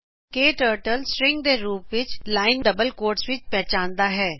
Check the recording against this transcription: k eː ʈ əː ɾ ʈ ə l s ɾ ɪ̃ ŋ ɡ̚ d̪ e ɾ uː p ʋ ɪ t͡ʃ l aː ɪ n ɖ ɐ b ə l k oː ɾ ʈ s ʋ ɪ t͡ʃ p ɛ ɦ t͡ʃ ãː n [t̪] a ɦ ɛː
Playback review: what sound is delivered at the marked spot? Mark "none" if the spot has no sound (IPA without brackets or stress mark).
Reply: d̪